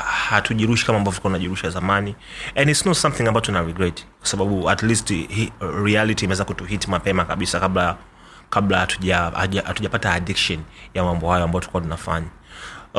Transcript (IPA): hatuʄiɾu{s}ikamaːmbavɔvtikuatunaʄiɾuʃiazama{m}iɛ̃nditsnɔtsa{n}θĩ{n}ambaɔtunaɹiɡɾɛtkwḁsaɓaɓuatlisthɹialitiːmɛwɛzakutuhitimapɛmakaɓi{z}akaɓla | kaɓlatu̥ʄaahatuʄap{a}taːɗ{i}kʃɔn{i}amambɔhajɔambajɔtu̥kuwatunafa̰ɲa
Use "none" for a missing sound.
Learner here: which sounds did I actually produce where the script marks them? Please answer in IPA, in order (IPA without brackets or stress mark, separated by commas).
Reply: ʃ, n, m, ŋ, s, a, i, j